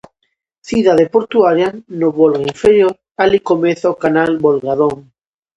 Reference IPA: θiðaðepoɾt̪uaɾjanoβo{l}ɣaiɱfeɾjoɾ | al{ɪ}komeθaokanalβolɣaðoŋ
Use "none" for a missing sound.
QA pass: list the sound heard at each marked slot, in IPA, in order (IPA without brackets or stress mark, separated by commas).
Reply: l, i